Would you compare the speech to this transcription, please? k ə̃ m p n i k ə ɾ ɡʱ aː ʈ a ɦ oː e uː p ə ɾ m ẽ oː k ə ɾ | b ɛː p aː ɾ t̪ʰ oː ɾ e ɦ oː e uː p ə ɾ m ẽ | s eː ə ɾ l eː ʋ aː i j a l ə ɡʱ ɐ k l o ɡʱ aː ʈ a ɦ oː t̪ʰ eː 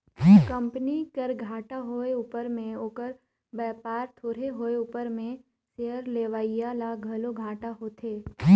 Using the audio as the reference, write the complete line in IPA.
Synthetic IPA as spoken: k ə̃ m p n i k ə ɾ ɡʱ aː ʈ a ɦ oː e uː p ə ɾ m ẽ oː k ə ɾ | b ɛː p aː ɾ t̪ʰ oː ɾ e ɦ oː e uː p ə ɾ m ẽ | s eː ə ɾ l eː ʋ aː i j a l a ɡʱ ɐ l o ɡʱ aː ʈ a ɦ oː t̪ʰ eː